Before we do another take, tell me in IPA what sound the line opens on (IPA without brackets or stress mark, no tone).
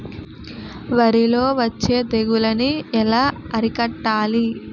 ʋ